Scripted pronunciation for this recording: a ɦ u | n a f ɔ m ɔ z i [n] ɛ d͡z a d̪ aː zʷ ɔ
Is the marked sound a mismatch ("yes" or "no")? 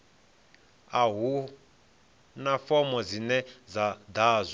no